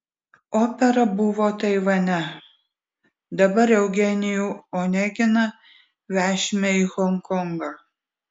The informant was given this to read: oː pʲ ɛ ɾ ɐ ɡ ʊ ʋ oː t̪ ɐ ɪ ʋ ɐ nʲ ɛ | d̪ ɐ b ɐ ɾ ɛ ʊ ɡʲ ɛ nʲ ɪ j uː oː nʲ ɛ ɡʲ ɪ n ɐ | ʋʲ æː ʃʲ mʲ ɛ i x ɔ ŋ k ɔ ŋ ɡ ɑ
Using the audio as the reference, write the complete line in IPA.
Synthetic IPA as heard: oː pʲ ɛ ɾ ɐ b ʊ ʋ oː t̪ ɐ ɪ ʋ ɐ nʲ ɛ | d̪ ɐ b ɐ ɾ ɛ ʊ ɡʲ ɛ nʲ ɪ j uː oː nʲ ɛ ɡʲ ɪ n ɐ | ʋʲ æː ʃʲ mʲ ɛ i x ɔ ŋ k ɔ ŋ ɡ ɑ